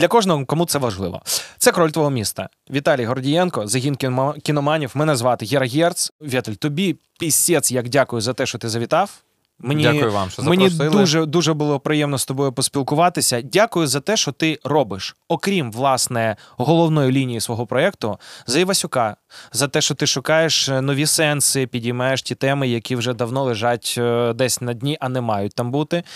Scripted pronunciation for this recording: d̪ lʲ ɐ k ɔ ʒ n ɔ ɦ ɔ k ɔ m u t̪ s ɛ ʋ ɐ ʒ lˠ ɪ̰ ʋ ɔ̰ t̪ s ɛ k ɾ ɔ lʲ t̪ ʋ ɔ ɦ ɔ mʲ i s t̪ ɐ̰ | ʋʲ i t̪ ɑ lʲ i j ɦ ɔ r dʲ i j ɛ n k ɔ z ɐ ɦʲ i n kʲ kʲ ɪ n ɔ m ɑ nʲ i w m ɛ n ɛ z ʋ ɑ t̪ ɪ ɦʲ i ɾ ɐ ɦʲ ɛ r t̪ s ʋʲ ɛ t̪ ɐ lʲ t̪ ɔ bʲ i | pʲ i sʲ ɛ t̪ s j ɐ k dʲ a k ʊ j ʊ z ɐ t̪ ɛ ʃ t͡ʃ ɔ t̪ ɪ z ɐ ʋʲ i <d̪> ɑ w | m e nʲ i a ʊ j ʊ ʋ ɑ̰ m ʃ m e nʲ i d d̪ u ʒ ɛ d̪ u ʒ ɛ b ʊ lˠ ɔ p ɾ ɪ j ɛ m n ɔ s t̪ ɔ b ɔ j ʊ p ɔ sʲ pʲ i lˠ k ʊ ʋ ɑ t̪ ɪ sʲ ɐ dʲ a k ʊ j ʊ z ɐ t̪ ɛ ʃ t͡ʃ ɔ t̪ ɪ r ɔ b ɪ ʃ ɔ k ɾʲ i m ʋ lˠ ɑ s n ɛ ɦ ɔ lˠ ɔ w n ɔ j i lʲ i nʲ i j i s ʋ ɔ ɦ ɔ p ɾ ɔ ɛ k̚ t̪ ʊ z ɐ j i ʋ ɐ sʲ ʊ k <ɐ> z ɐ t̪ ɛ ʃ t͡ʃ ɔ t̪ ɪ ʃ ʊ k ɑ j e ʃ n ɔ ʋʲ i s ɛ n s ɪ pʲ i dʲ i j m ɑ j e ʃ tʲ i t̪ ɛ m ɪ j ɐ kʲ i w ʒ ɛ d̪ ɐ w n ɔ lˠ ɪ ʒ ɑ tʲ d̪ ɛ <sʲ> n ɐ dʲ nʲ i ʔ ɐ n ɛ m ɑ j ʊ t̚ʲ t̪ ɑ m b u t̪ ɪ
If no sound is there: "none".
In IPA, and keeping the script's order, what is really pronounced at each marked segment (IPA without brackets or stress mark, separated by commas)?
t̪, ɑ, sʲ